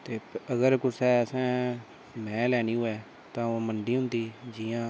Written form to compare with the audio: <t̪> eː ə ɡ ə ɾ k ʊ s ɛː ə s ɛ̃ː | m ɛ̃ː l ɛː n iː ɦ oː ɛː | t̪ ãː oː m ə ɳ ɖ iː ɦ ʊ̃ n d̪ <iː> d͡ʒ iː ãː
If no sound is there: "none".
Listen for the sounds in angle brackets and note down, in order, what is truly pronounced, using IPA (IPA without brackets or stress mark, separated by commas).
t̪, iː